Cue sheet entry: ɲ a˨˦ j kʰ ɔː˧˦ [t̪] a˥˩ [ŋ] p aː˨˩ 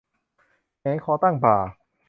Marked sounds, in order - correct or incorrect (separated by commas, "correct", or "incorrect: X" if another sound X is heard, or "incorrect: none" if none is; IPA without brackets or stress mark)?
correct, correct